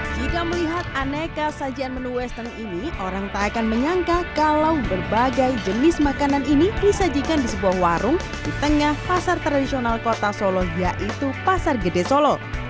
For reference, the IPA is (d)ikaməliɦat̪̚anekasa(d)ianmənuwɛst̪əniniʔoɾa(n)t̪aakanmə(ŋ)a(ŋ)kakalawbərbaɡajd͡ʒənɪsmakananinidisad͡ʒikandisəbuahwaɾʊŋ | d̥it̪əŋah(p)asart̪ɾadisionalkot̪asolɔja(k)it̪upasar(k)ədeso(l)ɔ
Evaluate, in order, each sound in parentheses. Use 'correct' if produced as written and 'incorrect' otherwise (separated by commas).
incorrect, incorrect, incorrect, incorrect, correct, correct, incorrect, incorrect, correct